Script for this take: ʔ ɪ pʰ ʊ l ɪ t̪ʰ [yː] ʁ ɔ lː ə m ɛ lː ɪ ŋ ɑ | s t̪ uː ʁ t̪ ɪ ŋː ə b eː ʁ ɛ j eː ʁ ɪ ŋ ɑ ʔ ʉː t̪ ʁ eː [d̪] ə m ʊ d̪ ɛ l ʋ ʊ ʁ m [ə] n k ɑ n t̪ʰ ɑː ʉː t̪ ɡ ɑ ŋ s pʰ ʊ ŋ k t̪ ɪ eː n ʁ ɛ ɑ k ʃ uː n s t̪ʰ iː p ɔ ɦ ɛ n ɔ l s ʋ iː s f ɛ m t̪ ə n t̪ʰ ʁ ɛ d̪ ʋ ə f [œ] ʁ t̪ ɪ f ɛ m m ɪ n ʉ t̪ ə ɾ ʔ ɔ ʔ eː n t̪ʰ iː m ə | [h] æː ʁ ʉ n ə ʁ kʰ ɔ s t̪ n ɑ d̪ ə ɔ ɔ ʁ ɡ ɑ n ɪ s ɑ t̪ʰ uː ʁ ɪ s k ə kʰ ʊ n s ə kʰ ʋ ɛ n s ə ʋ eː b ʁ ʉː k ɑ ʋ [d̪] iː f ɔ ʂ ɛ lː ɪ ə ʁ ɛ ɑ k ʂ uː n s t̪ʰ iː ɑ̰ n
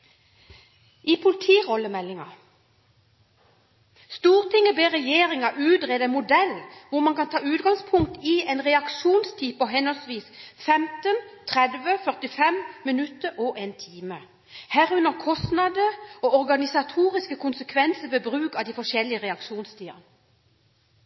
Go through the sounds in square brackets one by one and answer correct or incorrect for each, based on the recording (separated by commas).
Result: incorrect, correct, incorrect, correct, correct, correct